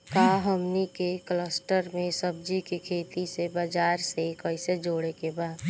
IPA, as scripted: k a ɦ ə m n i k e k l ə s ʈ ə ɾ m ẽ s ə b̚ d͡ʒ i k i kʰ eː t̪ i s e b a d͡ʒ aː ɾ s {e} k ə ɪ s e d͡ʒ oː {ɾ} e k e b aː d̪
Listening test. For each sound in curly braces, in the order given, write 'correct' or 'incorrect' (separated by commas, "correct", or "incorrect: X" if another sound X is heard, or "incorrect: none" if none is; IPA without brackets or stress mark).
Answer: correct, incorrect: ɽ